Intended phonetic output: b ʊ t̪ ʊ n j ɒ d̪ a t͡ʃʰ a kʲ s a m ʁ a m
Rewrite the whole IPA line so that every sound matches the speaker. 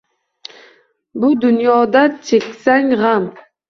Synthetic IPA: b ʊ d̪ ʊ n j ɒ d̪ a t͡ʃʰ e kʲ s a ŋ ʁ a m